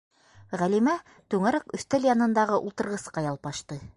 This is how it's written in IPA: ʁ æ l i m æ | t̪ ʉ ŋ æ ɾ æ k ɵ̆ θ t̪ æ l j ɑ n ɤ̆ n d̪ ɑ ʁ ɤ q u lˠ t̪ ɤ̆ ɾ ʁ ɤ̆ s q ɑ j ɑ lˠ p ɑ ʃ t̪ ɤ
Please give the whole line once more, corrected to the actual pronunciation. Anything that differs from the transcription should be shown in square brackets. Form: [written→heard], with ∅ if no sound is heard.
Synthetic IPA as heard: ʁ æ l i m æ | t̪ ʉ ŋ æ ɾ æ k ɵ̆ θ t̪ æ l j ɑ n ɤ̆ n d̪ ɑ ʁ ɤ [q→ʔ] u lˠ t̪ ɤ̆ ɾ ʁ ɤ̆ s q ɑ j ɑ lˠ p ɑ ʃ t̪ ɤ